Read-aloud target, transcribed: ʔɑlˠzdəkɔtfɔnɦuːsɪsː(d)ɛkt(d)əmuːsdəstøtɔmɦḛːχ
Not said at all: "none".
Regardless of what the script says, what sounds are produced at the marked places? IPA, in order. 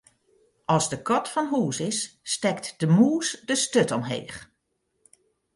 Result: t, d

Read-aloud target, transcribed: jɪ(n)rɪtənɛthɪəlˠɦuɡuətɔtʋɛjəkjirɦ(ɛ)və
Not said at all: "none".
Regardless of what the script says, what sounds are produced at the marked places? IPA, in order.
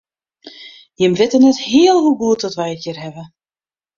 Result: m, ɛ

